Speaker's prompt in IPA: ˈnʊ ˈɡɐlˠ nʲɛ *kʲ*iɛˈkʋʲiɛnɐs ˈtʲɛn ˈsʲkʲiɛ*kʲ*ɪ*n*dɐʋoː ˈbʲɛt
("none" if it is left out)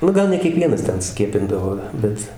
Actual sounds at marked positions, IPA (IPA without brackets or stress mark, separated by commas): kʲ, pʲ, n